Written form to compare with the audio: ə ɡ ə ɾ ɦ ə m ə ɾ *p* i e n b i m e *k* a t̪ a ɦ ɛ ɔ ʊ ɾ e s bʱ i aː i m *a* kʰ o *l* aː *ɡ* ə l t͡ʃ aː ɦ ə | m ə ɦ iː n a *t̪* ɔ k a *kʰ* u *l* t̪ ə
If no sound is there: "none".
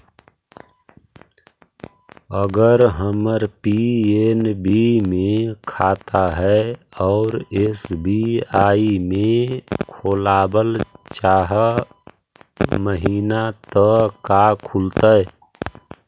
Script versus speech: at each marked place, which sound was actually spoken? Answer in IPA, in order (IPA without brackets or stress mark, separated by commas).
p, kʰ, e, l, b, t̪, kʰ, l